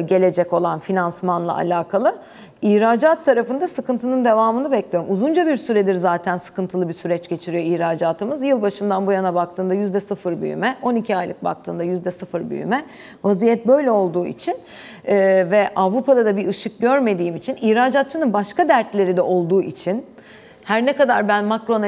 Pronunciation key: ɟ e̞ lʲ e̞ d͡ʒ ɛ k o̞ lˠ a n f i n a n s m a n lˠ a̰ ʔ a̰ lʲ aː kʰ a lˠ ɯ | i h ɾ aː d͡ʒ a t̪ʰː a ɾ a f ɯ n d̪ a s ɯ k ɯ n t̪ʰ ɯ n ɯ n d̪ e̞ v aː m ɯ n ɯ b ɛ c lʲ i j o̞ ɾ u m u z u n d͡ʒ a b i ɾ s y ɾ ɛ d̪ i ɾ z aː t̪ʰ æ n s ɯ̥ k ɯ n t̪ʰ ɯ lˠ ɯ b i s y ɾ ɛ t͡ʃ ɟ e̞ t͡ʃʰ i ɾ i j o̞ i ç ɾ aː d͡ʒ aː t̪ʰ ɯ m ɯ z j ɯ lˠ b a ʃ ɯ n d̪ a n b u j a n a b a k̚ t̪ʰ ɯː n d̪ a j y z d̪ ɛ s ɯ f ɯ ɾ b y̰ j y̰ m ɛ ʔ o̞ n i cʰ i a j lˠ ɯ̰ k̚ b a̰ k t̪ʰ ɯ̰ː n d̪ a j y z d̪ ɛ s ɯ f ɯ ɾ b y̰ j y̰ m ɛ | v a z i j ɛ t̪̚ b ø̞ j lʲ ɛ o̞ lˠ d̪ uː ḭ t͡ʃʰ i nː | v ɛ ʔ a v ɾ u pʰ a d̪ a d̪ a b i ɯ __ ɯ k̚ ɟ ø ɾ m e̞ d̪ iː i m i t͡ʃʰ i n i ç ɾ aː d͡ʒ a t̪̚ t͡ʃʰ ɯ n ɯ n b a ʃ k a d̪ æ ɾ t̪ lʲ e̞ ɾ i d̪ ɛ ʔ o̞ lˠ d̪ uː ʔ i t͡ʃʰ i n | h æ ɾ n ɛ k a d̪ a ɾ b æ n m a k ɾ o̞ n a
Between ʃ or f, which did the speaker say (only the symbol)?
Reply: ʃ